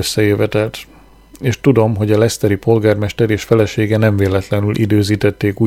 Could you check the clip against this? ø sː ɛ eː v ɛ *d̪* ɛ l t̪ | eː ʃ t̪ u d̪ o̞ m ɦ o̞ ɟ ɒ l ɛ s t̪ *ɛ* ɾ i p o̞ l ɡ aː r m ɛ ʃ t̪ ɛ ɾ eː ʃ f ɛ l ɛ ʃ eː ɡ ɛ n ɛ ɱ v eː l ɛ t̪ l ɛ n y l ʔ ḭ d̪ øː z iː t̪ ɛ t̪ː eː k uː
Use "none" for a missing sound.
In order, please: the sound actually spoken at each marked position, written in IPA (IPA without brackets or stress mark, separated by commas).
t̪, ɛ